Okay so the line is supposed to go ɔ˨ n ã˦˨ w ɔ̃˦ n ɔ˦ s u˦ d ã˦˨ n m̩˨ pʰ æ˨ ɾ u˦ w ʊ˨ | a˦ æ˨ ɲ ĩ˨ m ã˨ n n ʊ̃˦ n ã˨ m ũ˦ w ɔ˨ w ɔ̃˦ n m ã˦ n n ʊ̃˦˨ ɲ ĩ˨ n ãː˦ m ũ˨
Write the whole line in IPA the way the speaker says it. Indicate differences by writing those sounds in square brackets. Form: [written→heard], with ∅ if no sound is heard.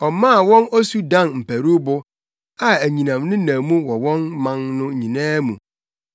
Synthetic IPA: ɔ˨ [n→m] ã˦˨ w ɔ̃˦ n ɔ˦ s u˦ d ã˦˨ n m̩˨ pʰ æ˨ ɾ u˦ [w→b] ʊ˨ | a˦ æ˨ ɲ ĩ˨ [m→n] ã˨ [n→m] n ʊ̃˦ n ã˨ m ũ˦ w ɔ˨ w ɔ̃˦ n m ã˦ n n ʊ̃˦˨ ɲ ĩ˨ n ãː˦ m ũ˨

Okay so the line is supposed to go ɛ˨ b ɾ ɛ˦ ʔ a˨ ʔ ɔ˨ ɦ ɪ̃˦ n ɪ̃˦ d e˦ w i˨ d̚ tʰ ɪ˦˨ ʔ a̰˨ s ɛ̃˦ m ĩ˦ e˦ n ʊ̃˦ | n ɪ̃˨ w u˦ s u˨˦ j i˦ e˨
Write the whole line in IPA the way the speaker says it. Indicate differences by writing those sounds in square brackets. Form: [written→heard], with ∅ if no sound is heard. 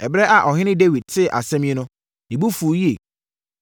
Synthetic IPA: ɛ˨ b ɾ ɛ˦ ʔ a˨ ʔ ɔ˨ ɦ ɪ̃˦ n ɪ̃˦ d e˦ w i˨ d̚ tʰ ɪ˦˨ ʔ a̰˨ s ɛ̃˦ m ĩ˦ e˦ n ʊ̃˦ | n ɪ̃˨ [w→b] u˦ [s→f] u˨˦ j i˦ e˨

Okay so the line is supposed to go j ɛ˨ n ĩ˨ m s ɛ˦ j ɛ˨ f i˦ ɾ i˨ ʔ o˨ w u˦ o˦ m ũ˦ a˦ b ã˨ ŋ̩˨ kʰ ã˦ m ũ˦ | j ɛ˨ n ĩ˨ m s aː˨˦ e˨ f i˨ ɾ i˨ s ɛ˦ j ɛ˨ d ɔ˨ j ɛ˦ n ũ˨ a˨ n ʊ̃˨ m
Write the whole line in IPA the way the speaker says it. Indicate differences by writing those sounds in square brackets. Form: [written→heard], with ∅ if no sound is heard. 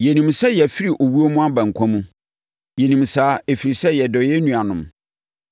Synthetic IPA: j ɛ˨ n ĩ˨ m s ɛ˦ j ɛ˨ f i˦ ɾ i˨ ʔ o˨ w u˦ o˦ m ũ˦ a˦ b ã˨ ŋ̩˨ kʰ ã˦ m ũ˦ | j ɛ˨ n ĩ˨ m s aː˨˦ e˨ f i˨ ɾ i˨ s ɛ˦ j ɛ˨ d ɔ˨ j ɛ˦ n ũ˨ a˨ n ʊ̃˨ m

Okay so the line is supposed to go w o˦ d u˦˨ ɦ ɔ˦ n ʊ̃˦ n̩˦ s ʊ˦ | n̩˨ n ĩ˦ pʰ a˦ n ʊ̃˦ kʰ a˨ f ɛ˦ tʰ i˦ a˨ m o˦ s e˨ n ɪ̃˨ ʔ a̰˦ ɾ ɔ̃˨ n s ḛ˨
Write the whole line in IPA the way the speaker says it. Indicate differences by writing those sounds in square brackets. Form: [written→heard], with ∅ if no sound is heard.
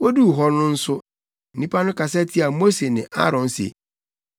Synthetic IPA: w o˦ d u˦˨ ɦ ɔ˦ n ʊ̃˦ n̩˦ s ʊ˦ | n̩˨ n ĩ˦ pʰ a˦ n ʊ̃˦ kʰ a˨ [f→s] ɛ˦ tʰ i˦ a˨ m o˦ s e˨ n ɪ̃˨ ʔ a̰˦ ɾ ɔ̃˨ n s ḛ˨

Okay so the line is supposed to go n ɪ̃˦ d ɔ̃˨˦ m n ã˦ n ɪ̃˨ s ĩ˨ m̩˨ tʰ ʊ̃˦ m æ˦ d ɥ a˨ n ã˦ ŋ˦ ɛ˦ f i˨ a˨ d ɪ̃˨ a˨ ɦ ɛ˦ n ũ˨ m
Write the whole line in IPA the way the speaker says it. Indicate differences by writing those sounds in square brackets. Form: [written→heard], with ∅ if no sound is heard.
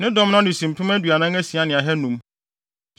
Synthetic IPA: n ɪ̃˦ d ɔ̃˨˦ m n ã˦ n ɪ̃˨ s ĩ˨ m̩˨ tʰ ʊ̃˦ m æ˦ d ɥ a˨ n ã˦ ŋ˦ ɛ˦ [f→s] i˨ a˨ [d→n] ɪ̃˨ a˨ ɦ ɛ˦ n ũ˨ m

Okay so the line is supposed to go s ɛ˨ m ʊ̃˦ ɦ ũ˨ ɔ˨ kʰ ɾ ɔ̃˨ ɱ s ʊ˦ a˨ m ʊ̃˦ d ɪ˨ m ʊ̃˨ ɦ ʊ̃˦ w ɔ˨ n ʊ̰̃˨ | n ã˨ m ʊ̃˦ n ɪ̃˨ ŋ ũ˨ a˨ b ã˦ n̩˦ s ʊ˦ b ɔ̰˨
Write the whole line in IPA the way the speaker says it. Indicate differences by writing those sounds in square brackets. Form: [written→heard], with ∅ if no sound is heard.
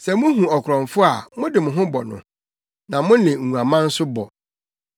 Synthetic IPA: s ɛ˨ m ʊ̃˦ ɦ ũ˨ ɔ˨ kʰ ɾ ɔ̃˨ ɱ [s→f] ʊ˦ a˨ m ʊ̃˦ d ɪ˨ m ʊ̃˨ ɦ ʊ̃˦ [w→b] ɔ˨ n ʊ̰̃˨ | n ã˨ m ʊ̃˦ n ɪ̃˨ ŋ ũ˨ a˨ [b→m] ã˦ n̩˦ s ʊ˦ b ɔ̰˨

